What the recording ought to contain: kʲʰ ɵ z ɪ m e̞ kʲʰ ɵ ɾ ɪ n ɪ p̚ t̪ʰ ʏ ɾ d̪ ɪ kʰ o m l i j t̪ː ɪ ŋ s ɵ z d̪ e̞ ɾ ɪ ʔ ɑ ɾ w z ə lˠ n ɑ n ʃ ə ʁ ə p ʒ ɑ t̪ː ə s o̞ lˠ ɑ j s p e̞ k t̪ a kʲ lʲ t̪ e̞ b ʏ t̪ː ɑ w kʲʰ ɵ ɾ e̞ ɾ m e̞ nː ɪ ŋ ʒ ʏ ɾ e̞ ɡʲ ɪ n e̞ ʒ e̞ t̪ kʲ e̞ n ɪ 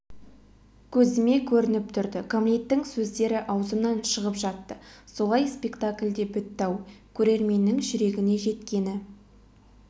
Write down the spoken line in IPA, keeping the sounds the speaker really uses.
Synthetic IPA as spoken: kʲʰ ɵ z ɪ m e̞ kʲʰ ɵ ɾ ɪ n ɪ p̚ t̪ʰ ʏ ɾ d̪ ɪ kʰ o m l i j t̪ː ɪ ŋ s ɵ z d̪ e̞ ɾ ɪ ʔ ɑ w z ə n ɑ n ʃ ə ʁ ə p ʒ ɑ t̪ː ə s o̞ lˠ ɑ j s p e̞ k t̪ a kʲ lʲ d̪ e̞ b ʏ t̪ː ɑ w kʲʰ ɵ ɾ e̞ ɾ m e̞ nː ɪ ŋ ʒ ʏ ɾ e̞ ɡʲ ɪ n e̞ ʒ e̞ t̪ kʲ e̞ n ɪ

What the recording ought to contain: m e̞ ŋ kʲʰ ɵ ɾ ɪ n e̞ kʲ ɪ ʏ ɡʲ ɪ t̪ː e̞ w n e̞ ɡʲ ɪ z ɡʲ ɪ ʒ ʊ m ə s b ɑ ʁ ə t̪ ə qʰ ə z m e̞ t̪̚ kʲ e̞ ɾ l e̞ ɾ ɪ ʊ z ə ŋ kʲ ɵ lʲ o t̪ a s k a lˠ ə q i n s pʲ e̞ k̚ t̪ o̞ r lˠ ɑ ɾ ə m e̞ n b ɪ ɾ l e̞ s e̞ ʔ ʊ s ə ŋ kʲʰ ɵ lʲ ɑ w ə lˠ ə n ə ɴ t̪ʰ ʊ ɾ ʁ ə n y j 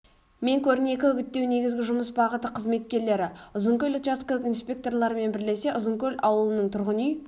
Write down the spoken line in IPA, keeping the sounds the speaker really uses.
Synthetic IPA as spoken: m e̞ ŋ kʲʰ ɵ ɾ ɪ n e̞ kʲ ɪ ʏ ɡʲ ɪ t̪ː e̞ w n e̞ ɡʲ ɪ z ɡʲ ɪ ʒ ʊ m ə s b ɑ ʁ ə t̪ ə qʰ ə z m e̞ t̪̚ kʲ e̞ ɾ l e̞ ɾ ɪ ʊ z ə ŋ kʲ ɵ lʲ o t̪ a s k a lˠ ə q i n s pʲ e̞ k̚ t̪ o̞ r lˠ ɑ ɾ ə m e̞ n b ɪ ɾ l e̞ s e̞ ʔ ʊ z ə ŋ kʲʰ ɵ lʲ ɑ w ə lˠ ə n ə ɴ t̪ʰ ʊ ɾ ʁ ə n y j

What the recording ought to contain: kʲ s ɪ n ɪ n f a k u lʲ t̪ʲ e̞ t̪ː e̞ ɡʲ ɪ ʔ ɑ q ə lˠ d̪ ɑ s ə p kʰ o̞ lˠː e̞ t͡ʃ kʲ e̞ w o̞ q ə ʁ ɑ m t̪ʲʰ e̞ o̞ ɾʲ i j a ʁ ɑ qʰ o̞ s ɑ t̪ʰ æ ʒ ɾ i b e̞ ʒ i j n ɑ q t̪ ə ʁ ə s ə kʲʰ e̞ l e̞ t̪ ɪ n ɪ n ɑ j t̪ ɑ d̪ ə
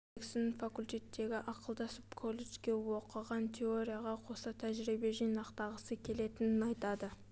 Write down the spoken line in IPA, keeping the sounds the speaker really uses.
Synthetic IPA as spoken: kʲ s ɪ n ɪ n f a k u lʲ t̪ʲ e̞ t̪ː e̞ ɡʲ ɪ ʔ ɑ q ə lˠ d̪ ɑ s ə p kʰ o̞ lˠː e̞ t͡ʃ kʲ e̞ w o̞ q ə ʁ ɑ n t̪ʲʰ e̞ o̞ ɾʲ i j a ʁ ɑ qʰ o̞ s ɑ t̪ʰ æ ʒ ɾ i b e̞ ʒ i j n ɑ q t̪ ɑ ʁ ə s ə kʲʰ e̞ l e̞ t̪ ɪ n ɪ n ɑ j t̪ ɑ d̪ ə

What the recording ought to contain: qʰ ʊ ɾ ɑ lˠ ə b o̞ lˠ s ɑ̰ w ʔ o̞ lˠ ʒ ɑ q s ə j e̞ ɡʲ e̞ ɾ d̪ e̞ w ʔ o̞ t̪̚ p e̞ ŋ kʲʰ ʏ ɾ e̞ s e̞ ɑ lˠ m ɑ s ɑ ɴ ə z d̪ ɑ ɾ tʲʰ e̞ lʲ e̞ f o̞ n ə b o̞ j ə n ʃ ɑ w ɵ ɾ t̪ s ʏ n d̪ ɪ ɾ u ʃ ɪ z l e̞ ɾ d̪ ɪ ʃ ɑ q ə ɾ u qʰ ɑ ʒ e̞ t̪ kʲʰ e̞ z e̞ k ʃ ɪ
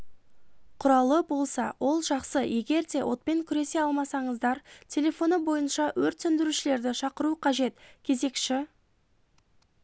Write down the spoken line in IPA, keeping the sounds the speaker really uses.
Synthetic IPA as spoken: qʰ ʊ ɾ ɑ lˠ ə b o̞ lˠ s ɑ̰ w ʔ o̞ lˠ ʒ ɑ q s ə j e̞ ɡʲ e̞ ɾ d̪ e̞ w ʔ o̞ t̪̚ p e̞ ŋ kʲʰ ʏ ɾ e̞ s e̞ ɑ lˠ m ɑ s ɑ ɴ ə z d̪ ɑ ɾ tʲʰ e̞ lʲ e̞ f o̞ n ə b o̞ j ə n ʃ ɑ w ɵ ɾ t̪ s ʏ n d̪ ɪ ɾ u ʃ ɪ l e̞ ɾ d̪ ɪ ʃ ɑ q ə ɾ u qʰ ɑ ʒ e̞ t̪ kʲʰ e̞ z e̞ k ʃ ɪ

